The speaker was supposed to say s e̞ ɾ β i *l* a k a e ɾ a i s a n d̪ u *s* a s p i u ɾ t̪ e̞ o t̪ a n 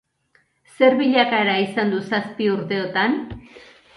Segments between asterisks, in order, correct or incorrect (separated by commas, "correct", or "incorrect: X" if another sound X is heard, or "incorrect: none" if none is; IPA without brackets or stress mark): incorrect: ʎ, correct